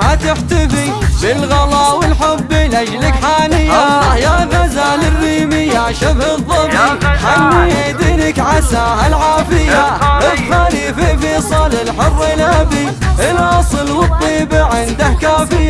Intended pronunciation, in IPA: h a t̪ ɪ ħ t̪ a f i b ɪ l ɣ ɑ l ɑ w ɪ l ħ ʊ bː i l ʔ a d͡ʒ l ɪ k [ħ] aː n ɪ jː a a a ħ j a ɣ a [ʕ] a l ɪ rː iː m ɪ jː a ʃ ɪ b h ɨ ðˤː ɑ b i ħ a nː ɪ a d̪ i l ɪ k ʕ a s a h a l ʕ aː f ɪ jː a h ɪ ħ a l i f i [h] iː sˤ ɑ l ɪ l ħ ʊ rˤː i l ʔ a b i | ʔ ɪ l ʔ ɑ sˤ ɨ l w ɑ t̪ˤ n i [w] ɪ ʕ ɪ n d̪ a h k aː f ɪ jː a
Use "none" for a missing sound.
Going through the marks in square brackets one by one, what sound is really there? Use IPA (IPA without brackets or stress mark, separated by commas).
ħ, z, f, b